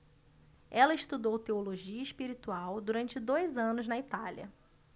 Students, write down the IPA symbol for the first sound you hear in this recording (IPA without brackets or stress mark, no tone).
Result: ɛ